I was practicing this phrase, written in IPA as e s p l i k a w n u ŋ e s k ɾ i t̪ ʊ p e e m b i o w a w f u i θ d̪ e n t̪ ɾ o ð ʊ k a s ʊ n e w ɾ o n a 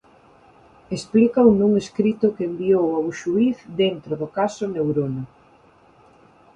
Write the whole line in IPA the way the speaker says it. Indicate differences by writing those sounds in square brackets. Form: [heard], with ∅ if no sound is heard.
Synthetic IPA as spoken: e s p l i k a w n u ŋ e s k ɾ i t̪ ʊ [k] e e m b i o w a w [ʃ] u i θ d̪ e n t̪ ɾ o ð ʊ k a s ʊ n e w ɾ o n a